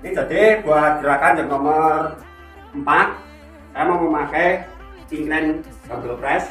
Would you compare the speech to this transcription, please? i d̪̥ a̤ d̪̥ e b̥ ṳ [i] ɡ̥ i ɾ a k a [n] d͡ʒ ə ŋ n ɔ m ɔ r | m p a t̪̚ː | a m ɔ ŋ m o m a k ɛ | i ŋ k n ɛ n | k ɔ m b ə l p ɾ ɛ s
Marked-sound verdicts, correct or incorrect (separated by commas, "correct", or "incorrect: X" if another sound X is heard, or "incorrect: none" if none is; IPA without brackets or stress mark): incorrect: a, correct